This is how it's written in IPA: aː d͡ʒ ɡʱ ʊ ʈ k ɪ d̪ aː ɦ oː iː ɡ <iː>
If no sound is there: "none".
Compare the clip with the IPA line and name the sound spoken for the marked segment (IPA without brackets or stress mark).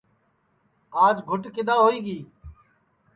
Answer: iː